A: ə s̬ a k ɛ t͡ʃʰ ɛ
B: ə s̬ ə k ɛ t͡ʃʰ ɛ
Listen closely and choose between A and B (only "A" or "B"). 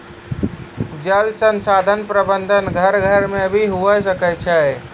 B